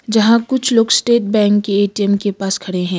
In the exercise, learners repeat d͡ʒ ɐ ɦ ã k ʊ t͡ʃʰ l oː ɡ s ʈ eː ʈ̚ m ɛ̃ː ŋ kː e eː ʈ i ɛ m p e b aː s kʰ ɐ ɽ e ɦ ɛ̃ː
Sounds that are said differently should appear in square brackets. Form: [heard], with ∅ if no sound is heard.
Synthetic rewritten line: d͡ʒ ɐ ɦ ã k ʊ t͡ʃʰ l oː ɡ s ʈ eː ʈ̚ [b] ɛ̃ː ŋ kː e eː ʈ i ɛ m [k] e [p] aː s kʰ ɐ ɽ e ɦ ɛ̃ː

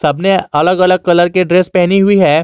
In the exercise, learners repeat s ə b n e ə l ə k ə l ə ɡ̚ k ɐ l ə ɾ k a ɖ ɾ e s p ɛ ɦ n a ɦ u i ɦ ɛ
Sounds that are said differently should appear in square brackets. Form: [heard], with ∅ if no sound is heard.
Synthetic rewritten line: s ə b n e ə l ə [ɡ] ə l ə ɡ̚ k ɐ l ə ɾ k [e] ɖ ɾ e s p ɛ ɦ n [i] ɦ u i ɦ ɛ

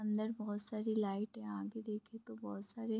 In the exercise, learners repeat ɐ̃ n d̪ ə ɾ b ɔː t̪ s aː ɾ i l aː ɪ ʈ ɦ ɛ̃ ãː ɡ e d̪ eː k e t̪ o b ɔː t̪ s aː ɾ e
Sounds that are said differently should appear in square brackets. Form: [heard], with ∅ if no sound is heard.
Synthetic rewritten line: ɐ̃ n d̪ ə ɾ b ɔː t̪ s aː ɾ i l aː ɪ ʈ ɦ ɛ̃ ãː ɡ e d̪ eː [kʰ] e t̪ o b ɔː t̪ s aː ɾ e

